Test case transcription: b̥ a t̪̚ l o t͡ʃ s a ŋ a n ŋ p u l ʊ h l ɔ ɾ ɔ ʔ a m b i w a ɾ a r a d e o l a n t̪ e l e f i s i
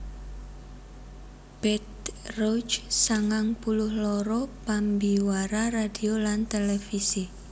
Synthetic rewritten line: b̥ ɛ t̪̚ r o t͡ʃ s a ŋ a ŋ p u l ʊ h l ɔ ɾ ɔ p a m b i w a ɾ a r a d i o l a n t̪ e l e f i s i